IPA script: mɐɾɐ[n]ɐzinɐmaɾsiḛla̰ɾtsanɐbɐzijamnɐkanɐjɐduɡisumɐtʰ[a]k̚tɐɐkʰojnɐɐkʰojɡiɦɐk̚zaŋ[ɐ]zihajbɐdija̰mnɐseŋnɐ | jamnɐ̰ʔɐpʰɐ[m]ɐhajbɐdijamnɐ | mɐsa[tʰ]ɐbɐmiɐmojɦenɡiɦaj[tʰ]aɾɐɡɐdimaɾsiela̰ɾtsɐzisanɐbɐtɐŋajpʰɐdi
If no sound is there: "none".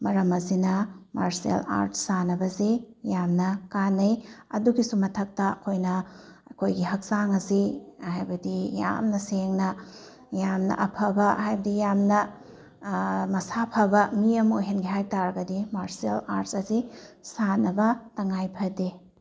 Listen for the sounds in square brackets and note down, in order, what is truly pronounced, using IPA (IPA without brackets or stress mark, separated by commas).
m, ɐ, ɐ, b, pʰ, t